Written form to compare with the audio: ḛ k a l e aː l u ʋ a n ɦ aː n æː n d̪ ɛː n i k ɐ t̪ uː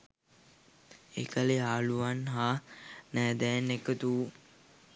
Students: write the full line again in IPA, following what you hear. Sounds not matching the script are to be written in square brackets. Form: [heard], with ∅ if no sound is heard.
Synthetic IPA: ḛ k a l e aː l u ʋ a n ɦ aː n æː [∅] d̪ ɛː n [e] k [ə] t̪ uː